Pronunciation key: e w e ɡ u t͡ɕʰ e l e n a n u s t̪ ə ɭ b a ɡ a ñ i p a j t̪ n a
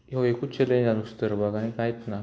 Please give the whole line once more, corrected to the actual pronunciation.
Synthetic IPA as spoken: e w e k u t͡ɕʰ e l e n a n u s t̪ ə ɾ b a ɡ a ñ i k a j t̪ n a